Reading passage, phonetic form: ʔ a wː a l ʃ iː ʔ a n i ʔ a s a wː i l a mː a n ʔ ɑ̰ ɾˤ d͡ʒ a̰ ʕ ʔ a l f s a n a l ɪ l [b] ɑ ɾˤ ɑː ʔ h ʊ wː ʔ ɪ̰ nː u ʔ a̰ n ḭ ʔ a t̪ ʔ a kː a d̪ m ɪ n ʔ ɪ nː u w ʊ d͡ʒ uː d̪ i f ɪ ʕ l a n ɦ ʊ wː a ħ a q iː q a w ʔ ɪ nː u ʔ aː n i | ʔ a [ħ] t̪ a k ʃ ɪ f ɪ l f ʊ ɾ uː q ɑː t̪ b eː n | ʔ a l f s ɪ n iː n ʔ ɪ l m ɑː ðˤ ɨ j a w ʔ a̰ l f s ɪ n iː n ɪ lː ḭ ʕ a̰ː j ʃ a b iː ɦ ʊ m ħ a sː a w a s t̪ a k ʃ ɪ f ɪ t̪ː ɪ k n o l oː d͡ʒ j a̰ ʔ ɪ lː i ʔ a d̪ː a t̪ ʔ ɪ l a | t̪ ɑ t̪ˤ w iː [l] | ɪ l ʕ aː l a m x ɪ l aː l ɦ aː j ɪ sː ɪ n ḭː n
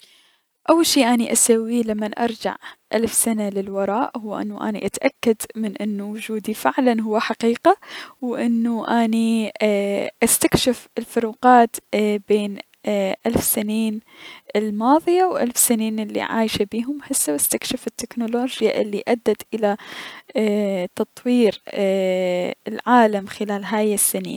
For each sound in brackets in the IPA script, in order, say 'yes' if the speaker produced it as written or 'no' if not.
no, no, no

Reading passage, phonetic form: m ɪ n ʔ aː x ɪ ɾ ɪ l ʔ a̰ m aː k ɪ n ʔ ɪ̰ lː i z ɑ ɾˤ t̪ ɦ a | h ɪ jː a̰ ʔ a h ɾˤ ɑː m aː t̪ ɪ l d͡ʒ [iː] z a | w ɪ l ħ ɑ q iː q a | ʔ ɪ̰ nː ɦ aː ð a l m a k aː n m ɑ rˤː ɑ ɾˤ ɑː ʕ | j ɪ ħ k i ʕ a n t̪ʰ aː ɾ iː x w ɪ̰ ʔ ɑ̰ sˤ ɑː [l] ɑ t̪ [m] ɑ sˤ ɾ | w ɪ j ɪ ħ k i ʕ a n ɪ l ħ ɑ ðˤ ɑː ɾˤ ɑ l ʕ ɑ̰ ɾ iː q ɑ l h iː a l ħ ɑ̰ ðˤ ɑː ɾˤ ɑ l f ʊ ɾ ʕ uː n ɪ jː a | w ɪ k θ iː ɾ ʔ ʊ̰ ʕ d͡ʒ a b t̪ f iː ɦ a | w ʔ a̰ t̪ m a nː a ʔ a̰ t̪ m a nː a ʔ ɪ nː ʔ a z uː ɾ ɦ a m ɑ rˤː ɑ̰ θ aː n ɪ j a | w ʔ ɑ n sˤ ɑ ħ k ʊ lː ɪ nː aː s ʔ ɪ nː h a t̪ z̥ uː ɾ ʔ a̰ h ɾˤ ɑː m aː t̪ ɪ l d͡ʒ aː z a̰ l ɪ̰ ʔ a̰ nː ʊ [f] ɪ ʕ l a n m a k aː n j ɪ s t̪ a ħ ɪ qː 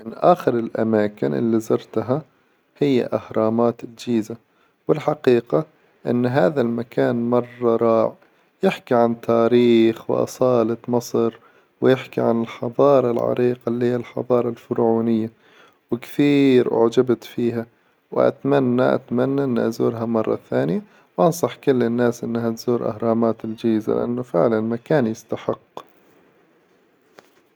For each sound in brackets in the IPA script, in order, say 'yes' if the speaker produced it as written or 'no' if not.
yes, yes, yes, yes

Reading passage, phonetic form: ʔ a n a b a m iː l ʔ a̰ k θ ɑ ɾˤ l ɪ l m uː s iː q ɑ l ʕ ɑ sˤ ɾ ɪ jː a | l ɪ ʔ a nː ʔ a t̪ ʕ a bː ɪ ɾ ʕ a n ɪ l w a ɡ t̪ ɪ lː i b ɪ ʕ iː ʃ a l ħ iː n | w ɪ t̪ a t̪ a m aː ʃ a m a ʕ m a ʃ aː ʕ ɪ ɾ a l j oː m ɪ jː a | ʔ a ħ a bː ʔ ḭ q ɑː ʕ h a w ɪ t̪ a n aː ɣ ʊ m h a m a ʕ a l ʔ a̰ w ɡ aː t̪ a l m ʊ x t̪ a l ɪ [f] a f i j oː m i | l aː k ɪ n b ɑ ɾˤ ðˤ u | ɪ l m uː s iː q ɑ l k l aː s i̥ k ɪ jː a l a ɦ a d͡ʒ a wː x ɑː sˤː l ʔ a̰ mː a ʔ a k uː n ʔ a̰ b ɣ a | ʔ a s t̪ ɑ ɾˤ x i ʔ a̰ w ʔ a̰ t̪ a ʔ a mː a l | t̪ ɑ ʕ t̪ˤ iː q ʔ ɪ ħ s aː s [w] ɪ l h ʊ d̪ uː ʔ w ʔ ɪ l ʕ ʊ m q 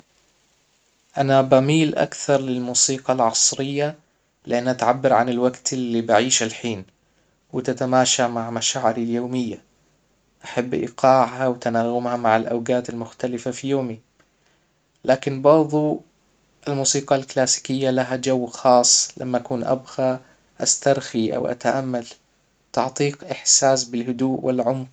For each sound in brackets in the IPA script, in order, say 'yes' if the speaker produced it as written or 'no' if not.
yes, no

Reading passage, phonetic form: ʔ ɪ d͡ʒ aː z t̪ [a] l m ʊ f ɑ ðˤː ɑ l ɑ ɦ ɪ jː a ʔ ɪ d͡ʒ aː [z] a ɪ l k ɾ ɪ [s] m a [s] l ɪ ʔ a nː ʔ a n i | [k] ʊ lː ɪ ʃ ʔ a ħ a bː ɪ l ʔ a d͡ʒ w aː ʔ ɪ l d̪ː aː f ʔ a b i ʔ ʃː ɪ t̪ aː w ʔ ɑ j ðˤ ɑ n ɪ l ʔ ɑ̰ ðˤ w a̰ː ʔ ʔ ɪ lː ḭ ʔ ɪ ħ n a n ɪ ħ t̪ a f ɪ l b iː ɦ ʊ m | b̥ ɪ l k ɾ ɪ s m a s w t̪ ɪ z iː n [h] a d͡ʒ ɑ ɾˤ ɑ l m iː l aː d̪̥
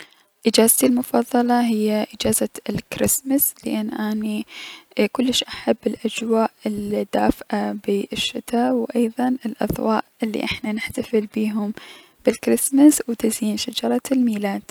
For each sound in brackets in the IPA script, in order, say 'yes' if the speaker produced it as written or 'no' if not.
no, yes, yes, yes, yes, no

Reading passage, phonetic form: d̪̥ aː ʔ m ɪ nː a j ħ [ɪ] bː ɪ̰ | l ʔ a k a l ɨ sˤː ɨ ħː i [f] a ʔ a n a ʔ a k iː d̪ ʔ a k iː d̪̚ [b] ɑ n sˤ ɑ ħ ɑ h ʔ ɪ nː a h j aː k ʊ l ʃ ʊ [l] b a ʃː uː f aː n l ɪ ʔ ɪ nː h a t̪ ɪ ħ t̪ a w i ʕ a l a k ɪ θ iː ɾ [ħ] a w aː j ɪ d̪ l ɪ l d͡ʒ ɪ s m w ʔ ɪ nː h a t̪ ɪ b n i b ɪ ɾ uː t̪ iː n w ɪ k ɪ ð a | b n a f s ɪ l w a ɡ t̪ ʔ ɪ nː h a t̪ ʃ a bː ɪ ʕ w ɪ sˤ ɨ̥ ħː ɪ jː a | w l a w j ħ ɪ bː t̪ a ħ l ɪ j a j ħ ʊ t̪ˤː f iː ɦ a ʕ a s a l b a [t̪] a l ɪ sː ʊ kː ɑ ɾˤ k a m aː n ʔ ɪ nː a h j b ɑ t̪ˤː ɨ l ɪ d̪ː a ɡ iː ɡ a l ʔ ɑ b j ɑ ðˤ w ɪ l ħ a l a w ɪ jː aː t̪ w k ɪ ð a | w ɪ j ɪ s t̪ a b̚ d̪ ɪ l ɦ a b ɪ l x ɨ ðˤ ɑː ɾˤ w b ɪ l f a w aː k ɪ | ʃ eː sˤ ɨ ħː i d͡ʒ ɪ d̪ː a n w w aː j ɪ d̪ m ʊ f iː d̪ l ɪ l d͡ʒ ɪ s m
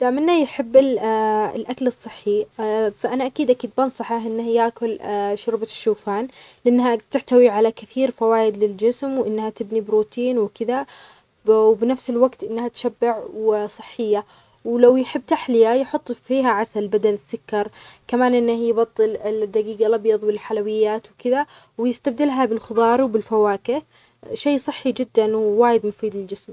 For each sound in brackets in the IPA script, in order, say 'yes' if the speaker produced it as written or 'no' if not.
yes, yes, yes, no, no, no

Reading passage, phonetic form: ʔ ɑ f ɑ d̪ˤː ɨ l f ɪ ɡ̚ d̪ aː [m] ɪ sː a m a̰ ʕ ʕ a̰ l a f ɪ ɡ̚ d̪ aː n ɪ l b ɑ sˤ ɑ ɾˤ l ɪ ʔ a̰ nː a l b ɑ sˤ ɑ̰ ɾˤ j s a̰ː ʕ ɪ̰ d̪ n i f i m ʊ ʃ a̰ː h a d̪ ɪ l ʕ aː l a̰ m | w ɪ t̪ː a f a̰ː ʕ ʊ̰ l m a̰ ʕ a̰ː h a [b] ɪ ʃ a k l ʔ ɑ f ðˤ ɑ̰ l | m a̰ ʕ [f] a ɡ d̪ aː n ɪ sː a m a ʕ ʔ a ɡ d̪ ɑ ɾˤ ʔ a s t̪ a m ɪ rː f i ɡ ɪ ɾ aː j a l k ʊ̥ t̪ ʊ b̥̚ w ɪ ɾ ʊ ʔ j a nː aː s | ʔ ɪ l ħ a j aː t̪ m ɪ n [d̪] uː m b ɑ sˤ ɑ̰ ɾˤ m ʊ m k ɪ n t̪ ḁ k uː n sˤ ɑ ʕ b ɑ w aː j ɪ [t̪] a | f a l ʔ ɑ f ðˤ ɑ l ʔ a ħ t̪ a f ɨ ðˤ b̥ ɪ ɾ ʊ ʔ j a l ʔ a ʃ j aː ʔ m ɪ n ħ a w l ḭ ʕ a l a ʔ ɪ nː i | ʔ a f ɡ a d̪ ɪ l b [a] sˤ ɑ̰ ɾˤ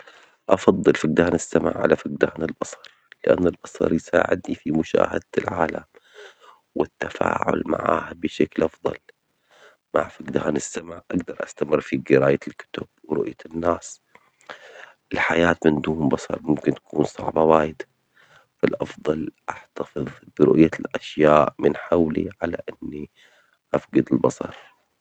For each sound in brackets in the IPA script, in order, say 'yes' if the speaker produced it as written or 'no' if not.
no, yes, yes, yes, no, no

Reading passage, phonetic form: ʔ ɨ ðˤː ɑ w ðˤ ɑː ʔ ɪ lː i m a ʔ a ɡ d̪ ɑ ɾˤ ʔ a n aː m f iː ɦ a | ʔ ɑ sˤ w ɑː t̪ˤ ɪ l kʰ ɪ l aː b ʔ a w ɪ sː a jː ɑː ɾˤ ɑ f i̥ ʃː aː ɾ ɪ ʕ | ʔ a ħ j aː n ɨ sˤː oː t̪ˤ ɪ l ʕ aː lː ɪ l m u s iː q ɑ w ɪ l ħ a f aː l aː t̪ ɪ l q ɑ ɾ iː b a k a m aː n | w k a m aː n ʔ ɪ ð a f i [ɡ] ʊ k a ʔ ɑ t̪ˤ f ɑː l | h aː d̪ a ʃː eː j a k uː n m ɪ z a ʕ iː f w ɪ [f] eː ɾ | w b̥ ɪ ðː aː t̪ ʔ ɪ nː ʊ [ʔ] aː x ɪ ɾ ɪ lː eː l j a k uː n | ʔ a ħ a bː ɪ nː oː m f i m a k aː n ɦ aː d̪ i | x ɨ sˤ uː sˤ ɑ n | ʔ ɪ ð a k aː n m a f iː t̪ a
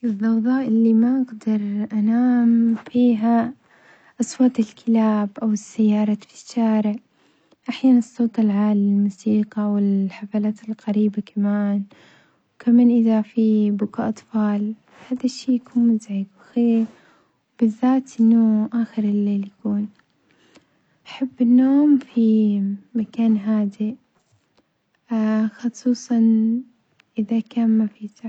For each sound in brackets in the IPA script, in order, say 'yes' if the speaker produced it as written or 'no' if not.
no, no, yes

